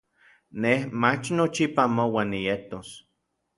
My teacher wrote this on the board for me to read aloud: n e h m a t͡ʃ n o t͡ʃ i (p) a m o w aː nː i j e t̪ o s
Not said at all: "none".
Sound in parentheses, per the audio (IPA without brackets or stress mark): p